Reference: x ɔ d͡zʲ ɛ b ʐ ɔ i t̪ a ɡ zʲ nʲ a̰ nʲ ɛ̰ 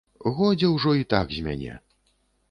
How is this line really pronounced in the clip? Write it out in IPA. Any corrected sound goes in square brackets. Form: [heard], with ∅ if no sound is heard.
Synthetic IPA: [ɣ] ɔ d͡zʲ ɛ [w] ʐ ɔ i t̪ a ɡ zʲ [mʲ] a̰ nʲ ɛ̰